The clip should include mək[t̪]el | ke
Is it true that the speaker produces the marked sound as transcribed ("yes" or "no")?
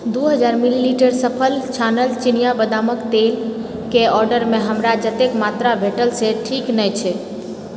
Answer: yes